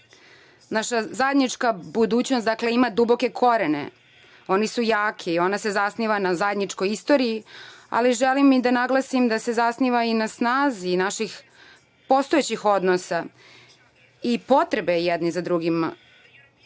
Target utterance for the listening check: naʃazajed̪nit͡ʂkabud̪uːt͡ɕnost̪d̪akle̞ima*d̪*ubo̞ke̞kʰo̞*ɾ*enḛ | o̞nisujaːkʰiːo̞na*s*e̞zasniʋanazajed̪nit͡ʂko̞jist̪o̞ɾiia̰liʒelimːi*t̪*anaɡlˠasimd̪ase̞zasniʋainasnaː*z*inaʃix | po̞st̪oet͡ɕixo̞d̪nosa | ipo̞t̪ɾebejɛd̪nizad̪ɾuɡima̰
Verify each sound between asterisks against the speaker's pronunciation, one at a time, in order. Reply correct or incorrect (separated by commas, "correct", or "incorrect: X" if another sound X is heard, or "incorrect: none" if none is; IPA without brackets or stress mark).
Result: correct, correct, correct, incorrect: d̪, correct